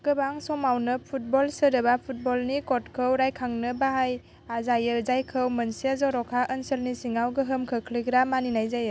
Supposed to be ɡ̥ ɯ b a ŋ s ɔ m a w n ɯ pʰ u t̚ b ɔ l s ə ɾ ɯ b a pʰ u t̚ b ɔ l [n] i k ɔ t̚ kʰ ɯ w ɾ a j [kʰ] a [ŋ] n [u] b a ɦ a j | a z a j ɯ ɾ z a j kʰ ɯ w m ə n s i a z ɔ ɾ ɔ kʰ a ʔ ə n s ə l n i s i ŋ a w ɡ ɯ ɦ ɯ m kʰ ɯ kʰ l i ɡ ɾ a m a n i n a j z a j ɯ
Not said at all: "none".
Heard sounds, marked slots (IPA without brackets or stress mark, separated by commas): n, kʰ, ŋ, ɯ